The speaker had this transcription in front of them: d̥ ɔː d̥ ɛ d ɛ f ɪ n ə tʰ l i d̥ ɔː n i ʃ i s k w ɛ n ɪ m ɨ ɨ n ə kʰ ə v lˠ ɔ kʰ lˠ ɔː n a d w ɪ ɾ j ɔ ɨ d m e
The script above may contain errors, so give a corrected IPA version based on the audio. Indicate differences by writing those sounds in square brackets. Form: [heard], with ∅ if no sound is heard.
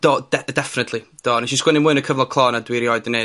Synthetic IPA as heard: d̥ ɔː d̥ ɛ d ɛ f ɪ n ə tʰ l i d̥ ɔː n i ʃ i s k w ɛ n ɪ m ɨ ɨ n ə kʰ ə v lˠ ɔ kʰ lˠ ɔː n a d w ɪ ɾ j ɔ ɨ d [n] e